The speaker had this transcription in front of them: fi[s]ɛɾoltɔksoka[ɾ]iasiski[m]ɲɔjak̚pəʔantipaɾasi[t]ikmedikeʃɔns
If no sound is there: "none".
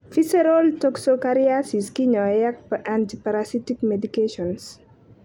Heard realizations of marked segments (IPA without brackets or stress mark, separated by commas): s, ɾ, none, t